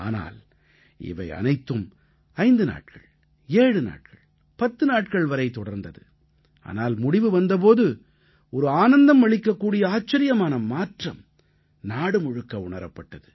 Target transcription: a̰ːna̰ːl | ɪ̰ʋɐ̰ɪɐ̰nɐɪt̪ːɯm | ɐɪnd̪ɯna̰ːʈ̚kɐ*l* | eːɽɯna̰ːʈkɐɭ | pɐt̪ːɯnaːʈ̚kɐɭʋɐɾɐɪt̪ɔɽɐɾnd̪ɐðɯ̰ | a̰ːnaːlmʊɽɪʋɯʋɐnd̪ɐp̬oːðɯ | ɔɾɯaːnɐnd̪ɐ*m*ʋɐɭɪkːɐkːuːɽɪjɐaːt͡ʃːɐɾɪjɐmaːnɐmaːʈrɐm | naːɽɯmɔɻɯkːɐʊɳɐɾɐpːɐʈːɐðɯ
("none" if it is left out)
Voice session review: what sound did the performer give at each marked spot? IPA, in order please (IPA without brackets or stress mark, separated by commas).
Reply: ɭ, m